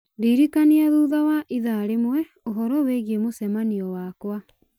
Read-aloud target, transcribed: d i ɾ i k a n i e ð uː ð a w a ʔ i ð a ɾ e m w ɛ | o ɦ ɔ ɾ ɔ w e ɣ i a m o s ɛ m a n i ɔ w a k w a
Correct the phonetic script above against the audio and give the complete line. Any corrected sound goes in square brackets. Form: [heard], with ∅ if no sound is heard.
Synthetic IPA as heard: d i ɾ i k a n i [a] ð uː ð a w a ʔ i ð a ɾ e m w ɛ | o ɦ ɔ ɾ ɔ w e ɣ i [e] m o s ɛ m a n i ɔ w a k w a